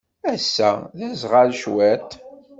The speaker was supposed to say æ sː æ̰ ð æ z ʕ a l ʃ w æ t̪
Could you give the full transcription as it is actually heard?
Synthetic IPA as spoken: æ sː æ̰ ð æ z ʁ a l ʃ w æ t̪